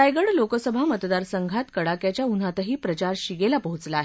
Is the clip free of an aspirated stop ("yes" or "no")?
yes